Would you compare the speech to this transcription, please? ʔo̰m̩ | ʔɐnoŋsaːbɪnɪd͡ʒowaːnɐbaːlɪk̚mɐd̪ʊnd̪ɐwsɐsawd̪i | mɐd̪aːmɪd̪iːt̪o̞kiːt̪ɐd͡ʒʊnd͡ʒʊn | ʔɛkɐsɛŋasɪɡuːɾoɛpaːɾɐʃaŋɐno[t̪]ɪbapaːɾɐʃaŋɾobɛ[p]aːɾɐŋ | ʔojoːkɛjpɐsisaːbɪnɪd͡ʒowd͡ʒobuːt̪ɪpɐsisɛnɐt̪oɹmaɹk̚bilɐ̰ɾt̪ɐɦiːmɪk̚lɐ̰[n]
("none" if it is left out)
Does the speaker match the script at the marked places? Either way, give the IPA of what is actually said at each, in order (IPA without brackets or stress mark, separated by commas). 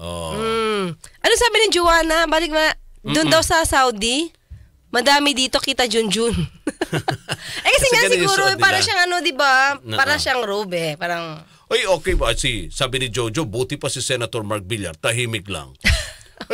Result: d̪, p, ŋ